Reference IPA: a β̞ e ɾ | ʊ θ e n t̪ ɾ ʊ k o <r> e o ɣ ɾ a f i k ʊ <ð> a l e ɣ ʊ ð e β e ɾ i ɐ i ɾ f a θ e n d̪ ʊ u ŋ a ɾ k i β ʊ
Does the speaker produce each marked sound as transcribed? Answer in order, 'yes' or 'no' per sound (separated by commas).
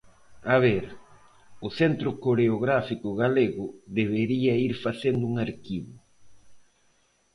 no, no